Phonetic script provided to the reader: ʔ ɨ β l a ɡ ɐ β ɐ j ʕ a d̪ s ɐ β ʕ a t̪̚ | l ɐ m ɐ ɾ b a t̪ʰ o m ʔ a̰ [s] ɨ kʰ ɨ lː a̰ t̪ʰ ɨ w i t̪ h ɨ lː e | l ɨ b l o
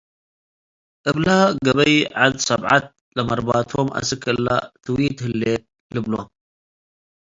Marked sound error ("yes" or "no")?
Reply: no